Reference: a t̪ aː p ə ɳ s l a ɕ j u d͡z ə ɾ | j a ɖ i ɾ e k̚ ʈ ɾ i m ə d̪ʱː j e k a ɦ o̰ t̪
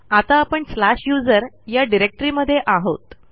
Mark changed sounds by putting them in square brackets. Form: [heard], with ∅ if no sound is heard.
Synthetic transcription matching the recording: a t̪ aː p ə ɳ s l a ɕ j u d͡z ə ɾ | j a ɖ i ɾ e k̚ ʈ ɾ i m ə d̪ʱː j e [ʔ] a ɦ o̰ t̪